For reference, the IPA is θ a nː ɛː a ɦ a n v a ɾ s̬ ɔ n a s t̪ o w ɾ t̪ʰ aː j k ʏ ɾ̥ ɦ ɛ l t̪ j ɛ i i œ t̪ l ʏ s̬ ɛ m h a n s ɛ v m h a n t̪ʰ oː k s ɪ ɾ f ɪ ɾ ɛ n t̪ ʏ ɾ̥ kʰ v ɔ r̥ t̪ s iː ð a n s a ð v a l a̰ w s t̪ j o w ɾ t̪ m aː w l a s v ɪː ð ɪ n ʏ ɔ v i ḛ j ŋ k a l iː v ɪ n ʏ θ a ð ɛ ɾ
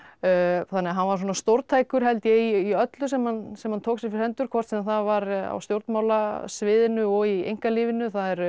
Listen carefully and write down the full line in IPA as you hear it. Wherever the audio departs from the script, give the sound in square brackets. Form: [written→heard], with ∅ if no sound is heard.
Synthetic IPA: θ a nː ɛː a ɦ a n v a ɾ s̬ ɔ n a s t̪ o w ɾ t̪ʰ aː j k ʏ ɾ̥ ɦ ɛ l t̪ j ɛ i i œ t̪ l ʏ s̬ ɛ m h a n s ɛ [v→∅] m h a n t̪ʰ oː k s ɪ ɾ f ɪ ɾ ɛ n t̪ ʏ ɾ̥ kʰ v ɔ r̥ t̪ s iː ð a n [s→θ] a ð v a [l→ɾ] a̰ w s t̪ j o w ɾ t̪ m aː w l a s v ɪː ð ɪ n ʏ ɔ [v→ɣ] i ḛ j ŋ k a l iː v ɪ n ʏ θ a ð ɛ ɾ

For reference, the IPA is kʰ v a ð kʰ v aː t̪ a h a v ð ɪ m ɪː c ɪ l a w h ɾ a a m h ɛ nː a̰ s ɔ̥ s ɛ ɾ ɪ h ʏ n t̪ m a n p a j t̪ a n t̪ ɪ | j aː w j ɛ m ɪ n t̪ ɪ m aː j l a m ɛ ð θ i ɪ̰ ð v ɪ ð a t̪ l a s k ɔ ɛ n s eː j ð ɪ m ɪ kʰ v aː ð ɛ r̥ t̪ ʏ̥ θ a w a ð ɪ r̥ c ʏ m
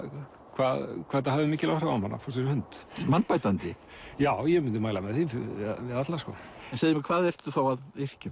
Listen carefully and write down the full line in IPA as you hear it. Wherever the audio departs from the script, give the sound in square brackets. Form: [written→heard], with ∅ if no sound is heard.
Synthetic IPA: kʰ v a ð kʰ v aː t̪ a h a v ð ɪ m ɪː c ɪ l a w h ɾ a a m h [ɛ→a] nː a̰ [s→f] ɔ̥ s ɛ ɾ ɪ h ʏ n t̪ m a n p a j t̪ a n t̪ ɪ | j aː w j ɛ m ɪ n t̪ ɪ m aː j l a m ɛ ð θ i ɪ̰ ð v ɪ ð a t̪ l a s k ɔ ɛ n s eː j ð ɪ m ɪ kʰ v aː ð ɛ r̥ t̪ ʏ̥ θ a w a ð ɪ r̥ c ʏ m

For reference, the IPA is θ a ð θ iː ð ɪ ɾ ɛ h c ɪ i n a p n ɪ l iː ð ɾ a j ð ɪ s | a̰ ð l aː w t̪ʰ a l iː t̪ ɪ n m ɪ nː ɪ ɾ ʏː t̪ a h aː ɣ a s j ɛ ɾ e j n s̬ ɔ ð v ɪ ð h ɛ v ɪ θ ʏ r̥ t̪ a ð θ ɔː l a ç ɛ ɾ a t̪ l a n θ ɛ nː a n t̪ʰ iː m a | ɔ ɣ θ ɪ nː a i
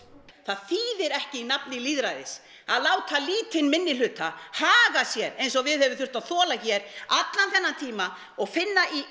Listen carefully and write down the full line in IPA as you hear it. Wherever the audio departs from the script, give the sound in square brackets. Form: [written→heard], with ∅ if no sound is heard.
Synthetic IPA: θ a ð θ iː ð ɪ ɾ ɛ h c ɪ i n a p n ɪ l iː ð ɾ a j ð ɪ s | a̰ ð l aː w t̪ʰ a l iː t̪ ɪ n m ɪ nː ɪ [ɾ→l] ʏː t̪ a h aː ɣ a s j ɛ ɾ e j n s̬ ɔ [ð→ɣ] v ɪ ð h ɛ v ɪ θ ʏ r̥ t̪ a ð θ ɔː l a ç ɛ ɾ a t̪ l a n θ ɛ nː a n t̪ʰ iː m a | ɔ ɣ [θ→f] ɪ nː a i

